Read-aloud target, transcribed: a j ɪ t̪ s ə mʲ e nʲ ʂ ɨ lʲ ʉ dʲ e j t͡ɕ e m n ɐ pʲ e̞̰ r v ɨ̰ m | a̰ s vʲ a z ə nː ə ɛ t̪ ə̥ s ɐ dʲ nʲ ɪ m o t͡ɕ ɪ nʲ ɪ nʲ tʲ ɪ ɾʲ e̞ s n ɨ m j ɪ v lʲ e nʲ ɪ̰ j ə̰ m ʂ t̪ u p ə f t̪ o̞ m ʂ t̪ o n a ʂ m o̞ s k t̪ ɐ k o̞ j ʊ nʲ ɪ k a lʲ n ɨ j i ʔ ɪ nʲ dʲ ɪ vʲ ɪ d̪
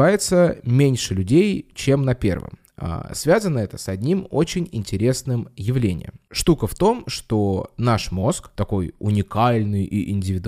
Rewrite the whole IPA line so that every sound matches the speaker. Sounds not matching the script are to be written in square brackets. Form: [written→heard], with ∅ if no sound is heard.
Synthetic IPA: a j ɪ t̪ s ə mʲ e nʲ ʂ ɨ lʲ ʉ dʲ e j t͡ɕ e m n ɐ pʲ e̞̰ r v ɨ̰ m | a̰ s vʲ a z ə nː ə ɛ t̪ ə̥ s ɐ dʲ nʲ [ɪ→i] m o t͡ɕ ɪ nʲ ɪ nʲ tʲ ɪ ɾʲ e̞ s n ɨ m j ɪ v lʲ e nʲ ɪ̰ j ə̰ m ʂ t̪ u [p→k] ə f t̪ o̞ m ʂ t̪ o n a ʂ m o̞ s k t̪ ɐ k o̞ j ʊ nʲ ɪ k a lʲ n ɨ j i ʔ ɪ nʲ dʲ ɪ vʲ ɪ d̪